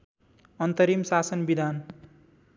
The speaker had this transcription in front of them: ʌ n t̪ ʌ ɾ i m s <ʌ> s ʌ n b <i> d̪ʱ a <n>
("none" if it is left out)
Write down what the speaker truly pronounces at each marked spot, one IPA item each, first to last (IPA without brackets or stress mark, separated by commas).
a, i, n